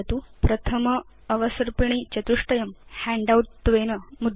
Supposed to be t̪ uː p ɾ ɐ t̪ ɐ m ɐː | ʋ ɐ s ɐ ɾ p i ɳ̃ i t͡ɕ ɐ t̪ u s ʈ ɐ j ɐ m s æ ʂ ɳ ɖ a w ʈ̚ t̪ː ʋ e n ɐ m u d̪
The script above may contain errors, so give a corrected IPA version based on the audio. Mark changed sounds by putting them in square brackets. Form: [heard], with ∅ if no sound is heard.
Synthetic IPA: t̪ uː p ɾ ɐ [t̪ʰ] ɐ m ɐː | ʋ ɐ s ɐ ɾ p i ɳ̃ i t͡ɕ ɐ t̪ u [ʂ] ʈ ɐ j ɐ m [h] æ [∅] ɳ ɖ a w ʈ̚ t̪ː ʋ e n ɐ m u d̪